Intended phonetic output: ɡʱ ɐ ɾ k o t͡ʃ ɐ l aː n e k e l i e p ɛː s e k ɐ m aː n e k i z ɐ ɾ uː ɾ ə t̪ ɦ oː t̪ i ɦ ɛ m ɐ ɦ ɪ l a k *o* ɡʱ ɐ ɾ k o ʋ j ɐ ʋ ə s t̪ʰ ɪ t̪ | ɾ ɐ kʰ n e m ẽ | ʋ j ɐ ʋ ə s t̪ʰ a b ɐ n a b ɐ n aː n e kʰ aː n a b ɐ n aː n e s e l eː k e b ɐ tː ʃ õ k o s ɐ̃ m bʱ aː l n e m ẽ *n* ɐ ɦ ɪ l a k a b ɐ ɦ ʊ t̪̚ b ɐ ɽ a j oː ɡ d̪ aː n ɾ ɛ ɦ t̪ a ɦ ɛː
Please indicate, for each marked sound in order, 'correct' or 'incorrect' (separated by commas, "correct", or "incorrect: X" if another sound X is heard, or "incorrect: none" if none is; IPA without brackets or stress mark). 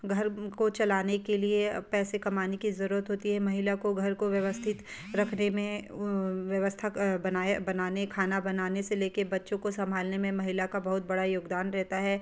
correct, incorrect: m